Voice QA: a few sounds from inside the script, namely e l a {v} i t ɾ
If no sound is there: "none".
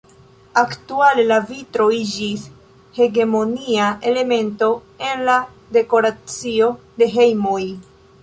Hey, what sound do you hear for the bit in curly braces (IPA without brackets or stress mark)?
v